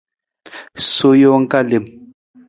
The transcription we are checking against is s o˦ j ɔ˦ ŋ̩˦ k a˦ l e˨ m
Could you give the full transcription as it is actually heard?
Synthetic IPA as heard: s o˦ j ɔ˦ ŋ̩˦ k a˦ l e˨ m